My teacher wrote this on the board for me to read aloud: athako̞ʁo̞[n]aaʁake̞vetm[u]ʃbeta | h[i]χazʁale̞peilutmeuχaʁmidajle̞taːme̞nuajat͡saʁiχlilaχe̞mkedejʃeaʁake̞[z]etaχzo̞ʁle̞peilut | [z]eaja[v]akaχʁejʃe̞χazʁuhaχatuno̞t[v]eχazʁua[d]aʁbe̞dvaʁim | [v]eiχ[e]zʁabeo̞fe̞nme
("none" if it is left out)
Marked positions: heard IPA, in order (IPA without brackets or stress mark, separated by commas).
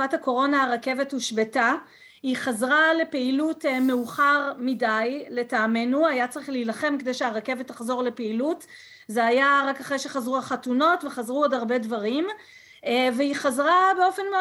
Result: n, u, i, v, z, ʁ, v, d, v, a